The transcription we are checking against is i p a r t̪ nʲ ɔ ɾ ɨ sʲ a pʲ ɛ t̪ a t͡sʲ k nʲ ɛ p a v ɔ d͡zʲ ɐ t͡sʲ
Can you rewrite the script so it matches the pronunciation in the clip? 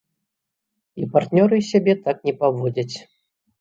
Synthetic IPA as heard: i p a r t̪ nʲ ɔ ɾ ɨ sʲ a bʲ ɛ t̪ a k nʲ ɛ p a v ɔ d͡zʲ ɐ t͡sʲ

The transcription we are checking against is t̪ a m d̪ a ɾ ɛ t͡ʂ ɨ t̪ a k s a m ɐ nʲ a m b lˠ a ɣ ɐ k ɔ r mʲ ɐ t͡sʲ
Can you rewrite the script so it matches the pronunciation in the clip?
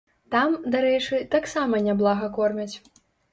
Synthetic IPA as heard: t̪ a m d̪ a ɾ ɛ t͡ʂ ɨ t̪ a k s a m ɐ nʲ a b lˠ a ɣ ɐ k ɔ r mʲ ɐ t͡sʲ

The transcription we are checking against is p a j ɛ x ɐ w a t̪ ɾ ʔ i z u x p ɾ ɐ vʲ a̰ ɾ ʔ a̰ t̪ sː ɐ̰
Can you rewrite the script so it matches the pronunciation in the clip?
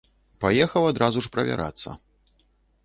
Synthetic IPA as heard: p a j ɛ x ɐ w a d̪ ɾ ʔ a z u ʂ p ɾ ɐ vʲ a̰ ɾ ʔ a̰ t̪ sː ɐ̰

